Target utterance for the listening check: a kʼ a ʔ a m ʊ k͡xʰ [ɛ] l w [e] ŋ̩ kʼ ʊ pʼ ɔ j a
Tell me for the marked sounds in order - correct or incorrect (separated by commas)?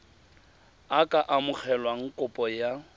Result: correct, incorrect